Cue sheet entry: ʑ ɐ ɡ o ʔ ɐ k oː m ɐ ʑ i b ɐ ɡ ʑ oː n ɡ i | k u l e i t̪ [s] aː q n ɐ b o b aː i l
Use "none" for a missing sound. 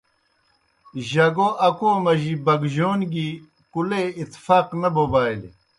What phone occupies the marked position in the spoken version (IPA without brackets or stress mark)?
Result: f